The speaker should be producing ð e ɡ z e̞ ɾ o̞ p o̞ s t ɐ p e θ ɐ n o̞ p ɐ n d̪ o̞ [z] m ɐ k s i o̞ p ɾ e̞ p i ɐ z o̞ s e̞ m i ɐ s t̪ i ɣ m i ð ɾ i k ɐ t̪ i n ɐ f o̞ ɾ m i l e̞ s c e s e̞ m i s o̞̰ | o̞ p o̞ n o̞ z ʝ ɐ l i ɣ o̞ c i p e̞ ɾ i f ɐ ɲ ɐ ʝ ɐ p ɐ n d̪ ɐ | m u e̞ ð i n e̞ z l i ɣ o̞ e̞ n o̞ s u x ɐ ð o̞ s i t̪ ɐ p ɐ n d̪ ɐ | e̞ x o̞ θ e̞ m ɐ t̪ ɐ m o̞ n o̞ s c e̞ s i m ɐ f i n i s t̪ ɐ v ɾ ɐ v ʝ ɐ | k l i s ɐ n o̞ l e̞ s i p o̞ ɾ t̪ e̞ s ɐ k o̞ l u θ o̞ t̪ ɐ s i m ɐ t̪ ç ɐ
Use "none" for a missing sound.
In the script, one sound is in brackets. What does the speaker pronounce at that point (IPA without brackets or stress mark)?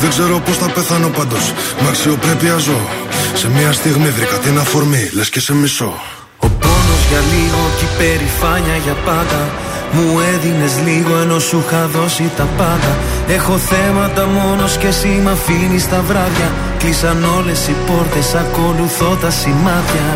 s